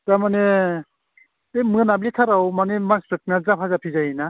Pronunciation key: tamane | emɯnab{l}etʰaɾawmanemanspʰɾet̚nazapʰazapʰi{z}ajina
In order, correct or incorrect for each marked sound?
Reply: correct, correct

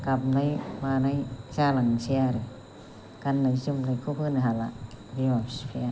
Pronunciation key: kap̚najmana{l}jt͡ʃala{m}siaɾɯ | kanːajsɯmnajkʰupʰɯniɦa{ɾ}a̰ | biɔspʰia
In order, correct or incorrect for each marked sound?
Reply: incorrect: none, incorrect: ŋ, incorrect: l

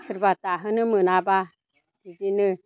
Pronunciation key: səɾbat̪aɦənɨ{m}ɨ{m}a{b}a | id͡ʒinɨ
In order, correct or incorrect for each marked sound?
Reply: correct, incorrect: n, correct

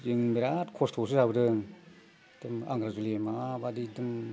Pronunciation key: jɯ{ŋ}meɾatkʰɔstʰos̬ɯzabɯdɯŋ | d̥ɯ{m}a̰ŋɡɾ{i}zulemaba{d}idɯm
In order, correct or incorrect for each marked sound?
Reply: correct, correct, incorrect: a, correct

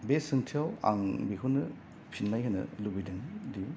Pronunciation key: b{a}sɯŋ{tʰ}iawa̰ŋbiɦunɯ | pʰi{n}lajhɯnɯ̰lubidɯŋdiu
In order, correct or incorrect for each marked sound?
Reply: incorrect: e, correct, correct

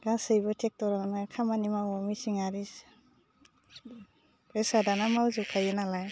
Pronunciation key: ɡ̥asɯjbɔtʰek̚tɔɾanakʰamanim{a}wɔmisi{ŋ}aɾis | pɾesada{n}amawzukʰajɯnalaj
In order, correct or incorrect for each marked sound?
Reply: correct, correct, correct

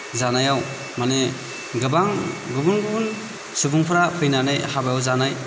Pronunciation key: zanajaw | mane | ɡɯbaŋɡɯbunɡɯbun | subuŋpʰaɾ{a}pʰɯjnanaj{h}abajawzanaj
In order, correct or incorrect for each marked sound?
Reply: correct, correct

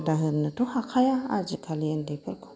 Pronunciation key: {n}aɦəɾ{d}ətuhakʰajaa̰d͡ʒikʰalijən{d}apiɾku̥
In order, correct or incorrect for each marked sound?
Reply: incorrect: d, incorrect: n, correct

